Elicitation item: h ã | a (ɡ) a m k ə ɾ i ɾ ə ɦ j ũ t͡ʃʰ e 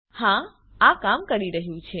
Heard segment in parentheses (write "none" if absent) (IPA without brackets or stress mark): k